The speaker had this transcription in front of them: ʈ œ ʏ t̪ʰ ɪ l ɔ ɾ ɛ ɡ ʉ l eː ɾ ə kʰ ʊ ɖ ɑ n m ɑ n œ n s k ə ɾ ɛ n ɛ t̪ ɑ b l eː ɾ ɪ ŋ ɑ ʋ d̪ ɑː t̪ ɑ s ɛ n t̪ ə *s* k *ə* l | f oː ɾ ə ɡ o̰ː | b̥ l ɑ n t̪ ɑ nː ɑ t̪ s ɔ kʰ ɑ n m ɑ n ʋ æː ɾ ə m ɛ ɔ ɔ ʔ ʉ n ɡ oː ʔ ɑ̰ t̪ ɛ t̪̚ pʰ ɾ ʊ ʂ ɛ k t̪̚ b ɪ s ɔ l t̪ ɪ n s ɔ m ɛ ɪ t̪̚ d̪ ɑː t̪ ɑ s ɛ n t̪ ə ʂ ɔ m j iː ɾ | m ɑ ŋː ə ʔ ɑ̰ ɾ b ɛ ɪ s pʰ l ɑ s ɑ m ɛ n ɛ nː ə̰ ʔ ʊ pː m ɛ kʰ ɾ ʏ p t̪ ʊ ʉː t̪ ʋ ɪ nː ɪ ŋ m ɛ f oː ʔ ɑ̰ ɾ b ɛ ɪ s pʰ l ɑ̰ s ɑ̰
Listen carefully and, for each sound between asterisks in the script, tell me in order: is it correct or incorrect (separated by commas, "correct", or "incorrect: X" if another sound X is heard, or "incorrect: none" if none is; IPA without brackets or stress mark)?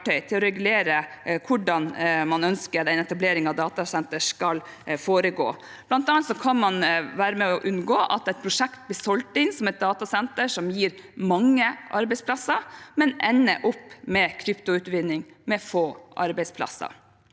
incorrect: ʂ, incorrect: ɑ